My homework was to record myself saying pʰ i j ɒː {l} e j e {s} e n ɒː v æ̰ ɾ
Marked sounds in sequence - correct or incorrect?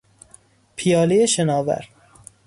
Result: correct, incorrect

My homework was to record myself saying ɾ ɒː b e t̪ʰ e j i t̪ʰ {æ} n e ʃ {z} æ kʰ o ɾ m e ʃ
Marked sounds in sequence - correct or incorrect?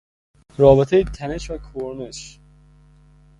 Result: correct, incorrect

